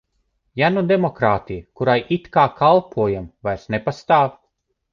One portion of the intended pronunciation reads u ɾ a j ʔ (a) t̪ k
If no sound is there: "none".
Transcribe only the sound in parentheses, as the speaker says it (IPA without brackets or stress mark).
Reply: i